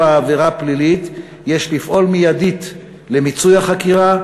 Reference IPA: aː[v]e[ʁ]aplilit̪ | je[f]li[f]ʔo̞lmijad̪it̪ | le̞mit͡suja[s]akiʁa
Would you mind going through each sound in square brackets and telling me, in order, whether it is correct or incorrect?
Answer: correct, correct, incorrect, correct, incorrect

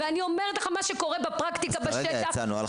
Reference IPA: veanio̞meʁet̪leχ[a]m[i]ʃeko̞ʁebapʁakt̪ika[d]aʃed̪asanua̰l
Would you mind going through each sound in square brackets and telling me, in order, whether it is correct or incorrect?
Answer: correct, incorrect, incorrect

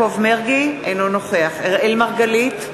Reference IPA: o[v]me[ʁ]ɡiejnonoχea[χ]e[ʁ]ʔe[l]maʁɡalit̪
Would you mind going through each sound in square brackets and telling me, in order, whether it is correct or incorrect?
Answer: correct, correct, correct, correct, correct

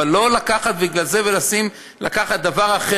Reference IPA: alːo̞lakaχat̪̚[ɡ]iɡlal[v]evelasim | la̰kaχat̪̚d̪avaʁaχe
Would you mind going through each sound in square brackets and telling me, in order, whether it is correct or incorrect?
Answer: incorrect, incorrect

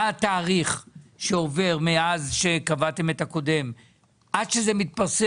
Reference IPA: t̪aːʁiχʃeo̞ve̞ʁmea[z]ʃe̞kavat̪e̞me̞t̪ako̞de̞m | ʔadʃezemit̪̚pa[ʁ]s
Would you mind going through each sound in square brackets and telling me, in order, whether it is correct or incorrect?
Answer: correct, correct

